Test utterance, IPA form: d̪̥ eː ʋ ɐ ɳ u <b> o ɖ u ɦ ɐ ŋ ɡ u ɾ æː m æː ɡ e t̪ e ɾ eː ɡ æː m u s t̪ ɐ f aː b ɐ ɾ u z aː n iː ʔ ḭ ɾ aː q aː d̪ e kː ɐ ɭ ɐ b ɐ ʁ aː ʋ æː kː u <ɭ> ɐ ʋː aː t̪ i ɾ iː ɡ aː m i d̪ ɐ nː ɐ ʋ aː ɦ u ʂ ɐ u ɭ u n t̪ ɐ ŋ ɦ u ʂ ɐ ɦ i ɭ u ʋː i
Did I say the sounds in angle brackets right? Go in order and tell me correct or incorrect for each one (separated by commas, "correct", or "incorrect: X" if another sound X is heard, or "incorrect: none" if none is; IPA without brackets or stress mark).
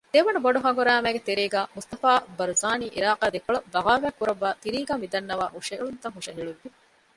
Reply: correct, incorrect: ɾ